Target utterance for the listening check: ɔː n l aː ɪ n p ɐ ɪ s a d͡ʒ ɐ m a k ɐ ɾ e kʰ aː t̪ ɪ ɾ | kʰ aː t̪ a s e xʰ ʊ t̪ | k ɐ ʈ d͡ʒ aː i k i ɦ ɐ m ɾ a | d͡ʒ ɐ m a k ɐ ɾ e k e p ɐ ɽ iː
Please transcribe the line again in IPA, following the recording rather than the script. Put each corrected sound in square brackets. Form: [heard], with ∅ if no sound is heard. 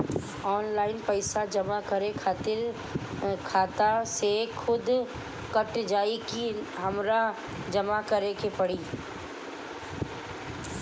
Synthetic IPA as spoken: ɔː n l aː ɪ n p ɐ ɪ s a d͡ʒ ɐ m a k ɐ ɾ e kʰ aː t̪ ɪ ɾ | kʰ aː t̪ a s e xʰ ʊ [d̪] | k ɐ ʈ d͡ʒ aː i k i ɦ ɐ m ɾ a | d͡ʒ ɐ m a k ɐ ɾ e k e p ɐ ɽ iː